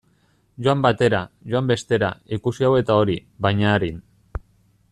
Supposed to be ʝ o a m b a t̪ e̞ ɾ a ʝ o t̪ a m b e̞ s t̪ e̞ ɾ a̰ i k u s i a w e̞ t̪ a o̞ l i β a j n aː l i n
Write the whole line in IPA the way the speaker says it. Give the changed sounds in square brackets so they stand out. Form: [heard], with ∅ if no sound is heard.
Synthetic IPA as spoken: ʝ o a m b a t̪ e̞ ɾ a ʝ o [∅] a m b e̞ s t̪ e̞ ɾ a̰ i k u s i a w e̞ t̪ a o̞ [ɾ] i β a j [ɲ] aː [ɾ] i n